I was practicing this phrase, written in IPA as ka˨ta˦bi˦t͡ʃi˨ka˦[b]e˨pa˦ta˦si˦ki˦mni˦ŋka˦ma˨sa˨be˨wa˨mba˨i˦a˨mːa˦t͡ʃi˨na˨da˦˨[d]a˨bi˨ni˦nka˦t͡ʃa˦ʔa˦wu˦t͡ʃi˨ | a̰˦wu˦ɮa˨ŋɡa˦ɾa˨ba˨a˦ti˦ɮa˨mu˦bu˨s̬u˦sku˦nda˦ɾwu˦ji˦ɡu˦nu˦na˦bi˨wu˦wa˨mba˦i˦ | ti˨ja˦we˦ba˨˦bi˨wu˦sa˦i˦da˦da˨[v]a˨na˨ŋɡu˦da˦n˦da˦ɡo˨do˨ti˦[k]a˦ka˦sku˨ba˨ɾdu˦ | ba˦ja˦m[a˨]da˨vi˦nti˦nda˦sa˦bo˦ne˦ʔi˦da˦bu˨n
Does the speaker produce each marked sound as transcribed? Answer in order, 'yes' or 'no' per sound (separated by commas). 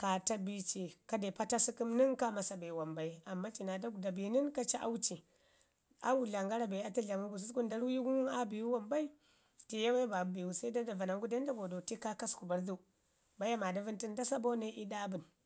no, yes, yes, yes, yes